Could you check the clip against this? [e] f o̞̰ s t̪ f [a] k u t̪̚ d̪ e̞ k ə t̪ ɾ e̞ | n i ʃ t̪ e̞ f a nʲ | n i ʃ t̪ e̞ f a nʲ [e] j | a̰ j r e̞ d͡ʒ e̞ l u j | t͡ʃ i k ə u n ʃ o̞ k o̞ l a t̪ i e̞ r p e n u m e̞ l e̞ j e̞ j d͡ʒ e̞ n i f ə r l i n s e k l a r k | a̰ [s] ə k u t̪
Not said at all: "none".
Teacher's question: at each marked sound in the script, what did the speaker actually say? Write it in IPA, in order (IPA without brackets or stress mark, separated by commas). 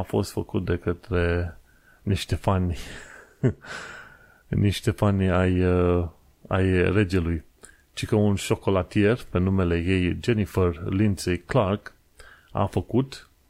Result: a, ə, a, f